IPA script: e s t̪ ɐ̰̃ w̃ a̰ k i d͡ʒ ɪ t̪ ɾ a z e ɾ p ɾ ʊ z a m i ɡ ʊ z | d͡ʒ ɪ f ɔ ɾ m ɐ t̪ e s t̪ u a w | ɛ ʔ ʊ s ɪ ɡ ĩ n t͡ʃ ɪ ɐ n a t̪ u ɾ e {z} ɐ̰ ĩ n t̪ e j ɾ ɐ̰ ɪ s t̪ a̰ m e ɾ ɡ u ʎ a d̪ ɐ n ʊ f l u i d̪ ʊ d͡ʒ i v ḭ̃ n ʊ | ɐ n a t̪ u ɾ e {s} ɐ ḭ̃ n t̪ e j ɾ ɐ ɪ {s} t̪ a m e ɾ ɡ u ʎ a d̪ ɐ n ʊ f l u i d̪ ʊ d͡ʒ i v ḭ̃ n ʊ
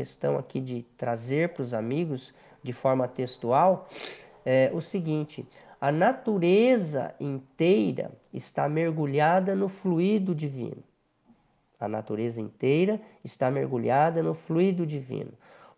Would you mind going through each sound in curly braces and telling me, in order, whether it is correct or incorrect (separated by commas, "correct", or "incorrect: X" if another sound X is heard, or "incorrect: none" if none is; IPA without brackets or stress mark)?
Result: correct, incorrect: z, correct